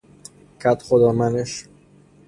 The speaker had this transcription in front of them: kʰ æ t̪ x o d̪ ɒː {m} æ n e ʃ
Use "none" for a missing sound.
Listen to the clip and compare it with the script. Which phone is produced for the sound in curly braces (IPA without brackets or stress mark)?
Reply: m